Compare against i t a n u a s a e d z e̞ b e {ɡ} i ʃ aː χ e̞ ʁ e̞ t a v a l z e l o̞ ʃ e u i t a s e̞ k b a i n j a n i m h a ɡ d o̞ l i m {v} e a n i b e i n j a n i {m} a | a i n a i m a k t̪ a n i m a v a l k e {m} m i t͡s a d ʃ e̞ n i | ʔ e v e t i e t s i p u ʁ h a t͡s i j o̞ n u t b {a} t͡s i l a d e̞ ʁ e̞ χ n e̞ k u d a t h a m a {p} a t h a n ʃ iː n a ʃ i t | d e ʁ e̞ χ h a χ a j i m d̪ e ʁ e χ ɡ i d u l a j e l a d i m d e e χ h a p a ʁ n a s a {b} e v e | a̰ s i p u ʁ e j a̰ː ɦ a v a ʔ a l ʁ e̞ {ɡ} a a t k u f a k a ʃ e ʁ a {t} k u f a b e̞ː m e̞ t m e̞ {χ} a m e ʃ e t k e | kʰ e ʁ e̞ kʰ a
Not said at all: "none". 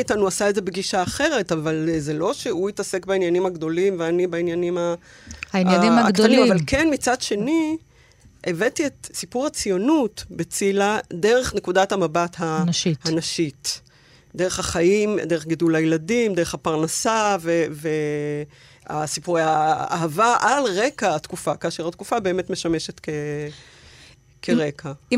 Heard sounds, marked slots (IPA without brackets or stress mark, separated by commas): ɡ, v, m, n, e, b, v, k, t, ʃ